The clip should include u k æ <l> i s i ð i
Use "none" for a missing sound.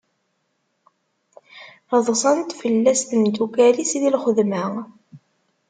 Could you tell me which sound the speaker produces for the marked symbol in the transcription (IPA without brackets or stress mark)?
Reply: l